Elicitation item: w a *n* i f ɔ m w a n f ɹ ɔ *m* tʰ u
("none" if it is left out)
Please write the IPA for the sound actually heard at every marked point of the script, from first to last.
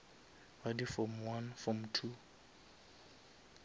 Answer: d, m

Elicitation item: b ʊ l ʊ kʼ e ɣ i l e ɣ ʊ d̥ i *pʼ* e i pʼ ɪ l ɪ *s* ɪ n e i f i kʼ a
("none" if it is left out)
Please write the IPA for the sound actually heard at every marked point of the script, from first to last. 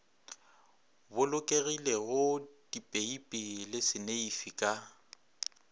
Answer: pʼ, s

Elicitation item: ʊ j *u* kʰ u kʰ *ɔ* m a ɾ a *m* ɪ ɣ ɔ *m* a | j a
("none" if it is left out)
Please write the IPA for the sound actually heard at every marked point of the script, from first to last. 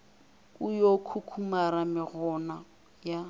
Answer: o, u, m, n

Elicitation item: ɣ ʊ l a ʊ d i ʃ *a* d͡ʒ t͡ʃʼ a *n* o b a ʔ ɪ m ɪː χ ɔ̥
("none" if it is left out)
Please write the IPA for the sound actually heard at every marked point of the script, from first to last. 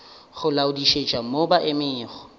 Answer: e, m

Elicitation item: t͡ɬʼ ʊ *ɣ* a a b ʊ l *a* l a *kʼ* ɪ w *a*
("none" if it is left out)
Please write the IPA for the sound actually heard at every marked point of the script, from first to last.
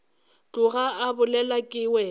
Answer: ɣ, ɛ, kʼ, ɛ

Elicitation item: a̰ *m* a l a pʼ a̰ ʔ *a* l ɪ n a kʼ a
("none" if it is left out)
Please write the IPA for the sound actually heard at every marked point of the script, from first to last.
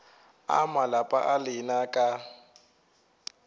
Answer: m, a

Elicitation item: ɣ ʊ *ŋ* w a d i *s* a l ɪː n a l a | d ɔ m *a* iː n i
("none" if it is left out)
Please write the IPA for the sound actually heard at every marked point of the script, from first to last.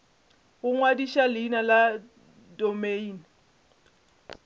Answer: ŋ, ʃ, e

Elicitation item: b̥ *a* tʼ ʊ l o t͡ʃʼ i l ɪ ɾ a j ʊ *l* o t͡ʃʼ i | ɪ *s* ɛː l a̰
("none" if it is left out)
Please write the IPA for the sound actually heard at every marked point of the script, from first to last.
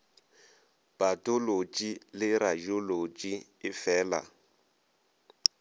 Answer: a, l, f

